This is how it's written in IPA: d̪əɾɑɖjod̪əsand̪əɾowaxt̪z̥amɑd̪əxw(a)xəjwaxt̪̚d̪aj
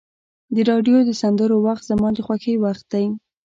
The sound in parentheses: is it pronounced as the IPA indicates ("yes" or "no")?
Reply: yes